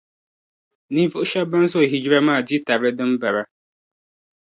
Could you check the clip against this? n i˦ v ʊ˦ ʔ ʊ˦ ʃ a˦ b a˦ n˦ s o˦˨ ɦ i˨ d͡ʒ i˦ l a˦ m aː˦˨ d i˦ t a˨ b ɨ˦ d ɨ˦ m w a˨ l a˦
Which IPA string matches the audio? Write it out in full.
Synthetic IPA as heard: n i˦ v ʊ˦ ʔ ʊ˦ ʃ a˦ b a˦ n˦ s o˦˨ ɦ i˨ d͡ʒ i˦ ɾ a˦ m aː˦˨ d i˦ t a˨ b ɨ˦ d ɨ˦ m b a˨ ɾ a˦